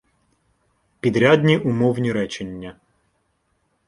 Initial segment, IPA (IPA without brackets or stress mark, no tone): pʲ